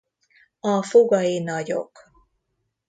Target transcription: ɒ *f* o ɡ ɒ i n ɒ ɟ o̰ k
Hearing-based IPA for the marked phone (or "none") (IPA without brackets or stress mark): f